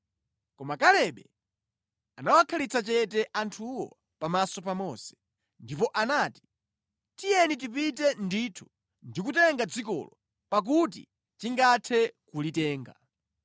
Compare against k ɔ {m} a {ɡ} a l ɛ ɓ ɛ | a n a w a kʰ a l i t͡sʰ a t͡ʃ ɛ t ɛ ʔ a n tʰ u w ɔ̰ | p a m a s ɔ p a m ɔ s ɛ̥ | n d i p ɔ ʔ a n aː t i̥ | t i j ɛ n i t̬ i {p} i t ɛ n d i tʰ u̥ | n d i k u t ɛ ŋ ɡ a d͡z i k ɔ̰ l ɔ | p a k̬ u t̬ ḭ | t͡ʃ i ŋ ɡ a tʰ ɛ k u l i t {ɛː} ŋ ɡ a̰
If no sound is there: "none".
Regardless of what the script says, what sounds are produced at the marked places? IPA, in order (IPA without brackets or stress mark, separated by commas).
m, k, p, ɛː